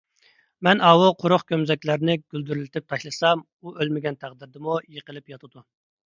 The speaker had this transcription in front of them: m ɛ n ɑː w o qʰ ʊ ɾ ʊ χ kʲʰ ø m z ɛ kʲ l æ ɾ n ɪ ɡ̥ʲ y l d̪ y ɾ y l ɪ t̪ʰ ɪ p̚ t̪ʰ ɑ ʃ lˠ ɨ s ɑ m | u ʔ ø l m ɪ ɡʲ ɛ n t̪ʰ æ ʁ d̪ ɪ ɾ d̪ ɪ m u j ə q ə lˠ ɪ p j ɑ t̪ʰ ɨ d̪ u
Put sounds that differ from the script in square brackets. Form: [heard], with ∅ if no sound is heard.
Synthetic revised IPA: m ɛ n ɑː w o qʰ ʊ ɾ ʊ χ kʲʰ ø m z ɛ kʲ l æ ɾ n ɪ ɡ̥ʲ y l d̪ y ɾ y l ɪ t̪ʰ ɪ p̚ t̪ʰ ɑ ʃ lˠ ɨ s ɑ m | u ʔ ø l m ɪ ɡʲ ɛ n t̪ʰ æ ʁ d̪ ɪ ɾ d̪ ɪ m u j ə q ə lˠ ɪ p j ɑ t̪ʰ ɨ d̪ u